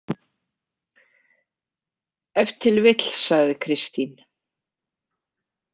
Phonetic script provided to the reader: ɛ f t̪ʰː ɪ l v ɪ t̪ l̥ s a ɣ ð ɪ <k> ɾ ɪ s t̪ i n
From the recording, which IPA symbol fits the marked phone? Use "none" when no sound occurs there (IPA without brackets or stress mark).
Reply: kʰ